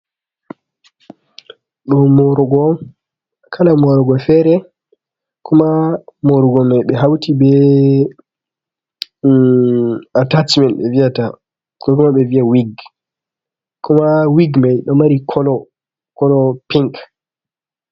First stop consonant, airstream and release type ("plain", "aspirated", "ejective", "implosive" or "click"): implosive